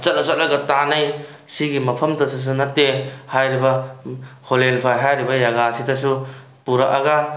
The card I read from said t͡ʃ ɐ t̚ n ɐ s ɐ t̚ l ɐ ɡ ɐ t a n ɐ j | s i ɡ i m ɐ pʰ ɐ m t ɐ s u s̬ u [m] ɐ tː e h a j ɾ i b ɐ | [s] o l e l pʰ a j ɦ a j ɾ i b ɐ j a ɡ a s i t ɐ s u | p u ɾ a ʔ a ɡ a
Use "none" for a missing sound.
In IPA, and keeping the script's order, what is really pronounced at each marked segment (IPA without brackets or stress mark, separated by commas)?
n, h